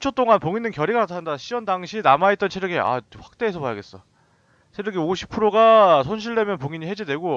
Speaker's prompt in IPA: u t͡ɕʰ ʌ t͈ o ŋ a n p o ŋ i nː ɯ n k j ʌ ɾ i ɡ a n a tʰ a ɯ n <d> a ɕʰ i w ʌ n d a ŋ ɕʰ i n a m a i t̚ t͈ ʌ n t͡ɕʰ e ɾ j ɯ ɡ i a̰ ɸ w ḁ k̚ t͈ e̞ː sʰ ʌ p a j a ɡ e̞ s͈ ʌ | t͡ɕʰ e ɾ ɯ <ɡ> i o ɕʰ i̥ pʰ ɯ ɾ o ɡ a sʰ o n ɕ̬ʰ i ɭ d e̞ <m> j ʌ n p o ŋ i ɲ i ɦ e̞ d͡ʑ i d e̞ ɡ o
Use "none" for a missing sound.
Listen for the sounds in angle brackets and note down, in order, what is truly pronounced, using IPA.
d, ɡ, m

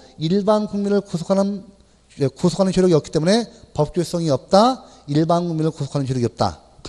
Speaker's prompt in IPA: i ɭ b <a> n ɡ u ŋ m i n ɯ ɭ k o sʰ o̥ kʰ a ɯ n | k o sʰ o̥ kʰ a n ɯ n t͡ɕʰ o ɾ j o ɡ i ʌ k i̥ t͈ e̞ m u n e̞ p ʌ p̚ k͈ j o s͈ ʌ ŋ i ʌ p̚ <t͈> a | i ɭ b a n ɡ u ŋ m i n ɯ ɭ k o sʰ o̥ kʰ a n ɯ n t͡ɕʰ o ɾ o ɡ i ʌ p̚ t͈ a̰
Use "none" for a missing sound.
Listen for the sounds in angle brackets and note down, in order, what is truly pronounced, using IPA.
a, t͈

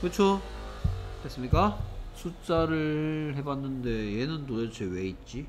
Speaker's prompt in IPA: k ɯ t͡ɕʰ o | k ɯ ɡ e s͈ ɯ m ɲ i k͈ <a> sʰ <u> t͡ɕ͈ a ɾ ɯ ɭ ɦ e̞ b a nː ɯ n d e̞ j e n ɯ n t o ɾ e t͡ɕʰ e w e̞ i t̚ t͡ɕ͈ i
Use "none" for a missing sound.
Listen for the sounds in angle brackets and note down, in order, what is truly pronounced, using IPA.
a, u

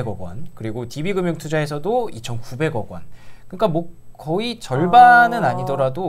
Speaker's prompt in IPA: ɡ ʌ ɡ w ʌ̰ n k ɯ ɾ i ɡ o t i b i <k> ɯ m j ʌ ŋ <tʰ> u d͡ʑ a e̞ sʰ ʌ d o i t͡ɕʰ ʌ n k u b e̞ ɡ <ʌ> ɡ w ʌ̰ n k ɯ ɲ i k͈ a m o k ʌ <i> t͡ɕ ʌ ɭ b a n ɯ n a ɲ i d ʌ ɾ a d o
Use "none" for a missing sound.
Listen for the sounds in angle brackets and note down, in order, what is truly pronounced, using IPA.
ɡ, tʰ, ʌ, i

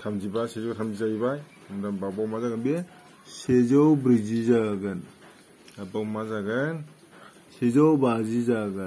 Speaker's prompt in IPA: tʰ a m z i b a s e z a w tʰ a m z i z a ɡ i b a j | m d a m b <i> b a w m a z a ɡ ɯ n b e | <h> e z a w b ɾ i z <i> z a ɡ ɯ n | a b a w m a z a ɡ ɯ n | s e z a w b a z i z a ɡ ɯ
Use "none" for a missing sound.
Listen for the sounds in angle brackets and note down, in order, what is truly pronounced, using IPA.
a, s, i

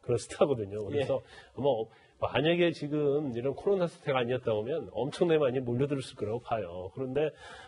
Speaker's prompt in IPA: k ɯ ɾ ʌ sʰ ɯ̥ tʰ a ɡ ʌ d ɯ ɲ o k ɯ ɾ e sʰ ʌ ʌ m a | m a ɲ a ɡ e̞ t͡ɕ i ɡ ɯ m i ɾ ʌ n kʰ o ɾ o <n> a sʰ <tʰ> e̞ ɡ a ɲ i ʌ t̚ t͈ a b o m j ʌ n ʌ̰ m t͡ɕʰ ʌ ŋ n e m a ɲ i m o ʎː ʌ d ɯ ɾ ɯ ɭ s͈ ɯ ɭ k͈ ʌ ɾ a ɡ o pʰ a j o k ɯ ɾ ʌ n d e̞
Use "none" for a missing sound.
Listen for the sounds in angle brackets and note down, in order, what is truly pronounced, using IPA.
n, tʰ

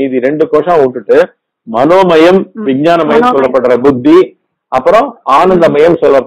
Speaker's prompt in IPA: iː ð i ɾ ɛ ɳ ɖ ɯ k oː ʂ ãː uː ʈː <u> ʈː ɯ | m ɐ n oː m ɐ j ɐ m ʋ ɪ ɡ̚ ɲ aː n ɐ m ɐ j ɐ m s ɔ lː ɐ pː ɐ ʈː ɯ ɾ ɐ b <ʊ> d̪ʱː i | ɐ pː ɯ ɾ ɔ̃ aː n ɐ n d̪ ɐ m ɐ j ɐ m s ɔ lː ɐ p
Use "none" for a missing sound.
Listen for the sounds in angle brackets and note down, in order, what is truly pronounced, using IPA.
ɯ, ʊ

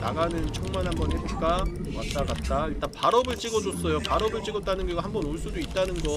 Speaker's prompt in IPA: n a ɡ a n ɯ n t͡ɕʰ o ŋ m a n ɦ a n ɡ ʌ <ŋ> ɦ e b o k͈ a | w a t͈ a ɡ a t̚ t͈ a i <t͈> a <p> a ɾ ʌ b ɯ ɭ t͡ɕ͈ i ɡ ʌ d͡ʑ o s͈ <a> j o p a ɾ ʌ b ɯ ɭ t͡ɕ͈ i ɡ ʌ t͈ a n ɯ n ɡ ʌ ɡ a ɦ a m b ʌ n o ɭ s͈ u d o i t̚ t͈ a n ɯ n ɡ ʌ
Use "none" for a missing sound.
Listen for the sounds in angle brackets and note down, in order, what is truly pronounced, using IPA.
n, t͈, p, ʌ

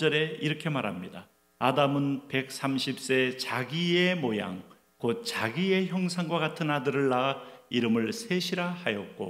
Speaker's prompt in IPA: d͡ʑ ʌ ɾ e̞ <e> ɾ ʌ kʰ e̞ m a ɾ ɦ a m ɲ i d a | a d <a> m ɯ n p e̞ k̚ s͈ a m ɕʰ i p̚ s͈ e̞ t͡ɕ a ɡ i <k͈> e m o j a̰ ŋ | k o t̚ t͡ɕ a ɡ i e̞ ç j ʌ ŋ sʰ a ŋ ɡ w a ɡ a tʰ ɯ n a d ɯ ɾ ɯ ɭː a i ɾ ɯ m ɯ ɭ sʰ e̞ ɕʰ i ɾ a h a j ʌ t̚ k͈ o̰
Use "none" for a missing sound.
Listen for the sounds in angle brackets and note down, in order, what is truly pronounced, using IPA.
i, a, none

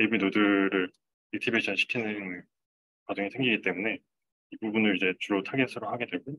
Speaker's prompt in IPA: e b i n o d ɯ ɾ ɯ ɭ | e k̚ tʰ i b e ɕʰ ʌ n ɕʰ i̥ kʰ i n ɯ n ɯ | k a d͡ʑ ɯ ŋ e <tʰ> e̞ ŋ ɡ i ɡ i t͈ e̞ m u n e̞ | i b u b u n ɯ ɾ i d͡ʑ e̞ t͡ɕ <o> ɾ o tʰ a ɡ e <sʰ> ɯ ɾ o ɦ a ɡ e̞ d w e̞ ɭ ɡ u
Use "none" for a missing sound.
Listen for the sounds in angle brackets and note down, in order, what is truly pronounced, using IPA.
sʰ, u, sʰ

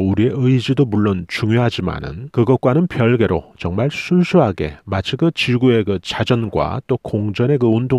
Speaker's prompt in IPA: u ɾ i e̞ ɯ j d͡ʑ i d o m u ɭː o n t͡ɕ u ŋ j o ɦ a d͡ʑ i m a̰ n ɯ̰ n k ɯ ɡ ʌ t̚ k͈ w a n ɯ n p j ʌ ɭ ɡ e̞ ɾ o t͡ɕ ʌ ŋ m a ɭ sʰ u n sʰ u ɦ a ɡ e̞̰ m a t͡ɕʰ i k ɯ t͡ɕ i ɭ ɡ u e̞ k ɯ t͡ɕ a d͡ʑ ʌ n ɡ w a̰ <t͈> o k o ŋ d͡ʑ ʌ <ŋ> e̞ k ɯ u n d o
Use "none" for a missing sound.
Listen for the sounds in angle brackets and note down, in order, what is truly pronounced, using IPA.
t͈, n

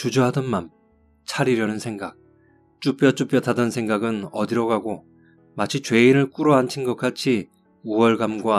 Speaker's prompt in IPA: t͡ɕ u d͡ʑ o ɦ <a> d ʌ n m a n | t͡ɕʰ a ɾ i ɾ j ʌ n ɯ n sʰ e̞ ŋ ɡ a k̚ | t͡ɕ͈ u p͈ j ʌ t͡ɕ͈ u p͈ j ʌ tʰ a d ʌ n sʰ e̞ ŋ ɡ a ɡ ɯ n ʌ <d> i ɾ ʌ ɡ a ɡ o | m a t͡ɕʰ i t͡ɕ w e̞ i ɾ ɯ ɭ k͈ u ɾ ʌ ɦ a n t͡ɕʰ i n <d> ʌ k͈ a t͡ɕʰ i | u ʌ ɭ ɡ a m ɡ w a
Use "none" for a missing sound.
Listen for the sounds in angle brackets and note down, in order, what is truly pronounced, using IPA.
a, d, ɡ

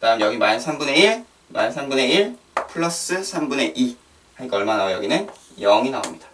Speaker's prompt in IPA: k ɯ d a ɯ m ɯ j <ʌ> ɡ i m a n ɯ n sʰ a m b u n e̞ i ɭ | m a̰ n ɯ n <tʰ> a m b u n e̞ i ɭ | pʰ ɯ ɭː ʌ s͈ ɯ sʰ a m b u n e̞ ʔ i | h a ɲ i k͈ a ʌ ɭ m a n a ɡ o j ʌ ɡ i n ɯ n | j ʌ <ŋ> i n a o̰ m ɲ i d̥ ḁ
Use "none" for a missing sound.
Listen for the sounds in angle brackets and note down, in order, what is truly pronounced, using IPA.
ʌ, sʰ, ŋ

